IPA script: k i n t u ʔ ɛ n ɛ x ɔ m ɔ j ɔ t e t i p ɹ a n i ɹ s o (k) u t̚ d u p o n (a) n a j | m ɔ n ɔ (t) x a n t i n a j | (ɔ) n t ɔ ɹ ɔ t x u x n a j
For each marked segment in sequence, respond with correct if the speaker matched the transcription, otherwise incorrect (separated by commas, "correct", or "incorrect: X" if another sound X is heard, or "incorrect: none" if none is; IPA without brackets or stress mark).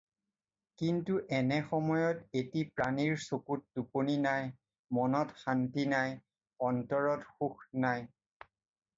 correct, incorrect: i, correct, correct